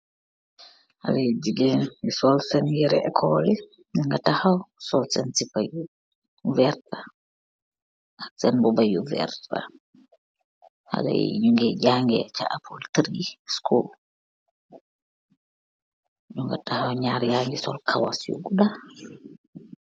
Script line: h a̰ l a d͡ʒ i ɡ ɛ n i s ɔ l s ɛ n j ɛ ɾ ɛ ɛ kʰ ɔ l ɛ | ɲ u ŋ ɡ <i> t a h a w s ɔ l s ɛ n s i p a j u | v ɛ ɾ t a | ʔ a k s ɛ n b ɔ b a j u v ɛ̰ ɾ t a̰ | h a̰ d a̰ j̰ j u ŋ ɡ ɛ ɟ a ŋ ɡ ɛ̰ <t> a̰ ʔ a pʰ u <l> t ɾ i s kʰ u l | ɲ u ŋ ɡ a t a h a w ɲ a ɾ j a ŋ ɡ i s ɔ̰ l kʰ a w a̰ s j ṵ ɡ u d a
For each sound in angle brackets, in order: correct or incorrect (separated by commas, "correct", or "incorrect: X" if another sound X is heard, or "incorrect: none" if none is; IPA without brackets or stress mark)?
incorrect: a, incorrect: t͡ʃ, correct